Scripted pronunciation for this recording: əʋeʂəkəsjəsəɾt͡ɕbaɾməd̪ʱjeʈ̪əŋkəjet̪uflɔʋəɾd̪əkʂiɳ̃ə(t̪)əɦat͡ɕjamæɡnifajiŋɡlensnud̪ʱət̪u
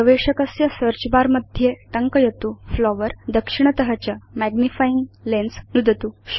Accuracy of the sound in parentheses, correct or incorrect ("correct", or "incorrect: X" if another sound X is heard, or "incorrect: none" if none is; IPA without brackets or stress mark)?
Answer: correct